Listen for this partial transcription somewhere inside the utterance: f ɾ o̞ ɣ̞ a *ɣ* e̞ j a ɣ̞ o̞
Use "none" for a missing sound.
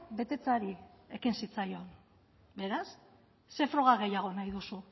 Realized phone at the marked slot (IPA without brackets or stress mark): ɣ